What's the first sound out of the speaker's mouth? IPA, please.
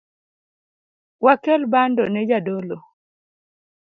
w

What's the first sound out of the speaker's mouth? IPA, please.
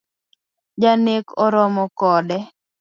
d͡ʒ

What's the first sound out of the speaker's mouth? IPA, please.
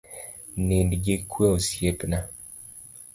n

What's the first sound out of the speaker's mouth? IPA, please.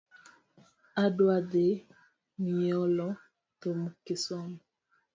a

